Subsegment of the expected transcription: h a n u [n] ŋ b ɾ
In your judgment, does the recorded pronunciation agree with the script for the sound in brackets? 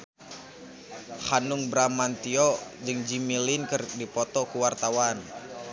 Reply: no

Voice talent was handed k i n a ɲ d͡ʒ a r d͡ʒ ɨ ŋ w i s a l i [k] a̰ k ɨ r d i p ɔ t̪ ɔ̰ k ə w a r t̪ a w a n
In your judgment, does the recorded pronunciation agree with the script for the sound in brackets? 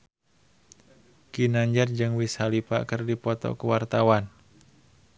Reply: no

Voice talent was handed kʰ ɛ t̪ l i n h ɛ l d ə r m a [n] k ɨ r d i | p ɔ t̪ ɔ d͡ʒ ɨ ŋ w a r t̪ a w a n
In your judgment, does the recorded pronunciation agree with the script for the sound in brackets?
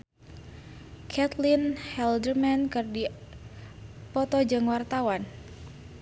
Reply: yes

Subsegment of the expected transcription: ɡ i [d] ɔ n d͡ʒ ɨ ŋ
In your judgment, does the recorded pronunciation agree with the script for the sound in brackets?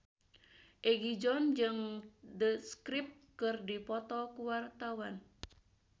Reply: no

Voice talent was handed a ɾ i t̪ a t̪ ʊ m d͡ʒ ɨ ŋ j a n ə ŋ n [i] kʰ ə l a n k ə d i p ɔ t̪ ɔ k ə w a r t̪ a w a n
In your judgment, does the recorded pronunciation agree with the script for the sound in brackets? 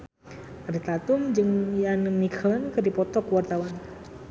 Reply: yes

